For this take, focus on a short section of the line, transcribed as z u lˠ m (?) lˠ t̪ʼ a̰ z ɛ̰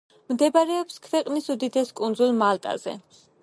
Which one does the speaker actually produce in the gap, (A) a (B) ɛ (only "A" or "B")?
A